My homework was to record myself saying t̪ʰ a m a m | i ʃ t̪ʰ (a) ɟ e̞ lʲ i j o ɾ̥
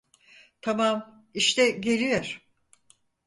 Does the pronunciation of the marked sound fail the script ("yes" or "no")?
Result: yes